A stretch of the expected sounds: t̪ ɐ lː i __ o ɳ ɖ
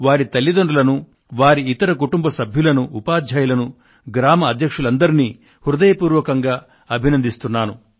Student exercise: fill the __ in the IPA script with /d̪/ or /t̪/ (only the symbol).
d̪